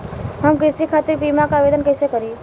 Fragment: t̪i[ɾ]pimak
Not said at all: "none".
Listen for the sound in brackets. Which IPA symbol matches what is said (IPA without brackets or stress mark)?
ɾ